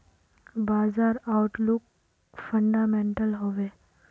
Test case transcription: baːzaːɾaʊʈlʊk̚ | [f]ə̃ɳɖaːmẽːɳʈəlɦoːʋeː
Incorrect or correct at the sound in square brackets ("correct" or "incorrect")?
correct